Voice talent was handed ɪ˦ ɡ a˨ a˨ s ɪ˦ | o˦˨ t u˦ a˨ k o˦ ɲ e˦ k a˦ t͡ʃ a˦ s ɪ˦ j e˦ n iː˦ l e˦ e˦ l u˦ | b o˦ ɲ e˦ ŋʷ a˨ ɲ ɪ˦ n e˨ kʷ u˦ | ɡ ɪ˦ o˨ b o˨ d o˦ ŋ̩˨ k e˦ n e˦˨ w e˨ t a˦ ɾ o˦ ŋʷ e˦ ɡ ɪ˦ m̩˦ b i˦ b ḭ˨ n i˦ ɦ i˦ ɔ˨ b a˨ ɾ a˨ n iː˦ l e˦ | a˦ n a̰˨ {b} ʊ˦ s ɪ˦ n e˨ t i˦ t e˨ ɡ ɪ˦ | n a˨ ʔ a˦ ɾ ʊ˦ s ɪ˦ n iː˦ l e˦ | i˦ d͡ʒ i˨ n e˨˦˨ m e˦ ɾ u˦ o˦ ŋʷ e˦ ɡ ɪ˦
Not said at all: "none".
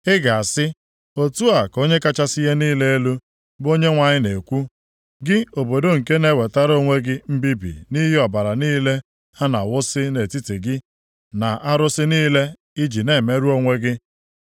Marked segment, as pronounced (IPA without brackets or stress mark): w